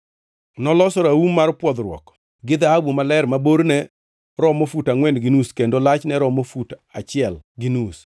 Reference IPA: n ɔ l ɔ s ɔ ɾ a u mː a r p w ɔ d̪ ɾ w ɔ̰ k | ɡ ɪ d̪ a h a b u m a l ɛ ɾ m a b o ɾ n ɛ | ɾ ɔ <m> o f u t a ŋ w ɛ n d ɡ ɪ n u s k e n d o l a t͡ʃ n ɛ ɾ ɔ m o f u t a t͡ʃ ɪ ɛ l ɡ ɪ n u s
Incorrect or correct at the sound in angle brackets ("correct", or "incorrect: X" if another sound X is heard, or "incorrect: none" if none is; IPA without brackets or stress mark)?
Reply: correct